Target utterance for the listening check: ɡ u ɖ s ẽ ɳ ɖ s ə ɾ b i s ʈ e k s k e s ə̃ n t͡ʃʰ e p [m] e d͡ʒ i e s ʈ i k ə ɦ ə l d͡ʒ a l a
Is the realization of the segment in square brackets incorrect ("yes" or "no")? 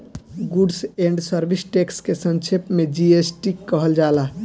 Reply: no